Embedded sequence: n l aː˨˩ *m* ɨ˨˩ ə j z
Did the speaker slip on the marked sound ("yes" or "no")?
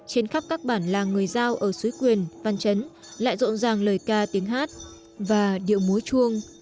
yes